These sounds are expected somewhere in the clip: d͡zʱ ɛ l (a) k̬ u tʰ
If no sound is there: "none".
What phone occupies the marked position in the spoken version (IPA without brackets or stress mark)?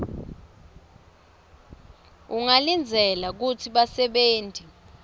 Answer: a